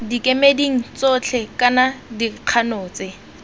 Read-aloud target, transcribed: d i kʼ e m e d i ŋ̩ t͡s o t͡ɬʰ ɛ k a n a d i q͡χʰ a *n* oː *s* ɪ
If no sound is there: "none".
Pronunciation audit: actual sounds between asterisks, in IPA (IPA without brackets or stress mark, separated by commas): n, t͡s